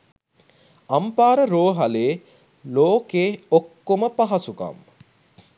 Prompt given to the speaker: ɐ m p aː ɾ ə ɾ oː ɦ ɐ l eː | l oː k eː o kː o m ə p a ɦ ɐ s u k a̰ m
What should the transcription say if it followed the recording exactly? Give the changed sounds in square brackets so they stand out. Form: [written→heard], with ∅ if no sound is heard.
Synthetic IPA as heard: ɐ m p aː ɾ ə ɾ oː ɦ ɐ l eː | l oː k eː o kː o m ə p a ɦ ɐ s u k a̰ m